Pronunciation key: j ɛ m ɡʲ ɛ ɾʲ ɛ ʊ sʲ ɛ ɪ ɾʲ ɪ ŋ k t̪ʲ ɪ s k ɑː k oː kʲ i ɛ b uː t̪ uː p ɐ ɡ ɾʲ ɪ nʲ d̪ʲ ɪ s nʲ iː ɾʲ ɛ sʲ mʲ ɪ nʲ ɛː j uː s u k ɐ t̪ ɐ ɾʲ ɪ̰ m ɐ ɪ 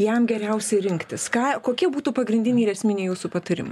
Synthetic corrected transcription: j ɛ m ɡʲ ɛ ɾʲ ɛ ʊ sʲ ɛ ɪ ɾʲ ɪ ŋ k t̪ʲ ɪ s k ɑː k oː kʲ i ɛ b uː t̪ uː p ɐ ɡ ɾʲ ɪ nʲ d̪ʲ ɪ nʲ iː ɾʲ ɛ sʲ mʲ ɪ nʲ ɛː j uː s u p ɐ t̪ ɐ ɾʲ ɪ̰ m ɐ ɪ